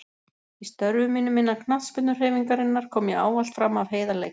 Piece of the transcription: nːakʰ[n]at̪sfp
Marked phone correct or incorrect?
correct